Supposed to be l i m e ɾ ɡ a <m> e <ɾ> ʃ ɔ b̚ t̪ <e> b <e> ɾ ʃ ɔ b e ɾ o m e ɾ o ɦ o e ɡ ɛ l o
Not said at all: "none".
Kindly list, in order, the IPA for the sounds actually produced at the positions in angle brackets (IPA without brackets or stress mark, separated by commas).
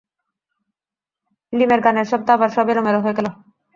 n, ɾ, a, a